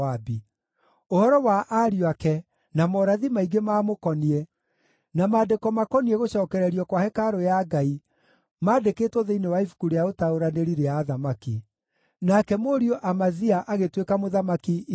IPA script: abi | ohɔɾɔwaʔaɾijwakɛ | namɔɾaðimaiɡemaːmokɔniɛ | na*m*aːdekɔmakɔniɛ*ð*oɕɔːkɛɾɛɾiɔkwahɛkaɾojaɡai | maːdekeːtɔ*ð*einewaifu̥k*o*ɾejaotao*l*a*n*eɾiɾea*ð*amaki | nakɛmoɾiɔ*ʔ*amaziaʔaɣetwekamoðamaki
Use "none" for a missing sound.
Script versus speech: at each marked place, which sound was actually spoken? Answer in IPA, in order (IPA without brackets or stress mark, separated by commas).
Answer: m, ɣ, ð, u, ɾ, n, ð, ʔ